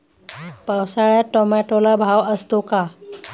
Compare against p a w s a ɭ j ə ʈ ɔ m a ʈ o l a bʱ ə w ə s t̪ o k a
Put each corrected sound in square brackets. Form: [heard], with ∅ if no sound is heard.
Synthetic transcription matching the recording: p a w s a ɭ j [a] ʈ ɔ m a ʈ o l a bʱ [a] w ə s t̪ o k a